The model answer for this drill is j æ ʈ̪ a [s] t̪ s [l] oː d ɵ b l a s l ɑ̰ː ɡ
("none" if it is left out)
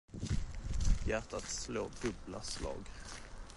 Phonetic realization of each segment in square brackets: none, l

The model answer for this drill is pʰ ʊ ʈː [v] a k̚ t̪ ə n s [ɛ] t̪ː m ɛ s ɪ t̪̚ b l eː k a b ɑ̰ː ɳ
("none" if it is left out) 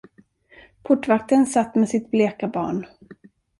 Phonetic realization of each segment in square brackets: v, a

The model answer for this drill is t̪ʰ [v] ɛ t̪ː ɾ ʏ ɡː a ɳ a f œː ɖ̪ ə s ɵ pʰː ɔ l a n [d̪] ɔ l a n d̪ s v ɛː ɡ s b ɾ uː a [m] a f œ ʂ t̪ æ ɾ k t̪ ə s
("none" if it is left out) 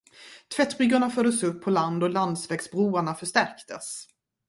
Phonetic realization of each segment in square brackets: v, d̪, ɳ

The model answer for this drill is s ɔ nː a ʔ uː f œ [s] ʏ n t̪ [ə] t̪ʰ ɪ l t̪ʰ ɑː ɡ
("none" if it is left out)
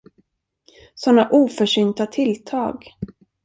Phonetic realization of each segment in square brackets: ʂ, a

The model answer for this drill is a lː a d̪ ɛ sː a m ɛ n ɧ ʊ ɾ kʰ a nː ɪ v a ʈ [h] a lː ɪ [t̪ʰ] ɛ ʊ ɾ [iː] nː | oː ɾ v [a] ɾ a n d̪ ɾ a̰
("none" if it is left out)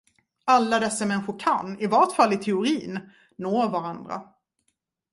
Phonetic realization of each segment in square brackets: f, t̪ʰ, iː, a

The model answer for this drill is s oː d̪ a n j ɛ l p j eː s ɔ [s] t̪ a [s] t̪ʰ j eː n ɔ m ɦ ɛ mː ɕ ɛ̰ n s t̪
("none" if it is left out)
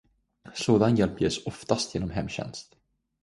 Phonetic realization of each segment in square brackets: f, s

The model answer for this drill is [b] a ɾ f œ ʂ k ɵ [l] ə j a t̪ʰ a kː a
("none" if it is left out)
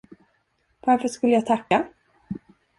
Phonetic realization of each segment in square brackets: v, lː

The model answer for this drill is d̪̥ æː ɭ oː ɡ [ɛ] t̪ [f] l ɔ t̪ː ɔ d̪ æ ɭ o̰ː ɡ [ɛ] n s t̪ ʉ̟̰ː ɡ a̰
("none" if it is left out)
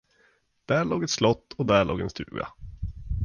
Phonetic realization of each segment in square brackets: ɛ, s, ɛ

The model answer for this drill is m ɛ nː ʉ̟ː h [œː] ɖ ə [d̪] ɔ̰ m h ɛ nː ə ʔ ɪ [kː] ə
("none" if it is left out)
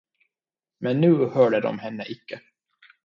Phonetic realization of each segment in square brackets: œː, d̪, kː

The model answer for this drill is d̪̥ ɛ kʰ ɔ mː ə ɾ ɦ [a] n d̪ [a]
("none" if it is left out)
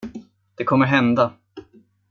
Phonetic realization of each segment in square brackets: ɛ, a

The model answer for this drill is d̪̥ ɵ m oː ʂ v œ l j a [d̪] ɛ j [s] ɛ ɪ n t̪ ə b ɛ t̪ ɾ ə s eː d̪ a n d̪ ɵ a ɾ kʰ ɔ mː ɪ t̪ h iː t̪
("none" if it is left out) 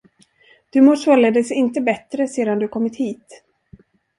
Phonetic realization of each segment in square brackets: d̪, s

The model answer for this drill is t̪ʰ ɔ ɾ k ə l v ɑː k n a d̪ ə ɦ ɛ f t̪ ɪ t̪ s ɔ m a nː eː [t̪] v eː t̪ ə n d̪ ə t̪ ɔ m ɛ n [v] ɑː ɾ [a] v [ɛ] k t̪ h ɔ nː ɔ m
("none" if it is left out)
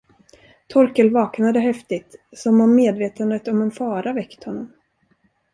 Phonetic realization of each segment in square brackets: d̪, f, a, ɛ

